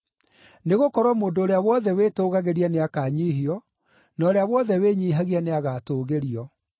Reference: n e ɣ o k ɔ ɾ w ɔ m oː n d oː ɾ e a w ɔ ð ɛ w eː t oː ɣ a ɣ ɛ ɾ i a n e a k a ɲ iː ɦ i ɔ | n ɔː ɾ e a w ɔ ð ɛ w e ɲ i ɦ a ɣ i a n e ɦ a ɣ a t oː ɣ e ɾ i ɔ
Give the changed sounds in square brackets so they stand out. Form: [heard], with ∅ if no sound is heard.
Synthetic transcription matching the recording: n e ɣ o k ɔ ɾ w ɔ m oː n d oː ɾ e a w ɔ ð ɛ w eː t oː ɣ a ɣ [e] ɾ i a n e a k a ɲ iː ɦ i ɔ | n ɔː ɾ e a w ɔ ð ɛ w e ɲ i ɦ a ɣ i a n e [∅] a ɣ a t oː ɣ e ɾ i ɔ